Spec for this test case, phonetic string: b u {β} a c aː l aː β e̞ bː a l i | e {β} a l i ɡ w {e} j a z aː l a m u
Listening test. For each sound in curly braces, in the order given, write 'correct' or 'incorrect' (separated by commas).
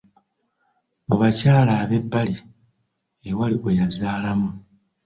correct, incorrect, correct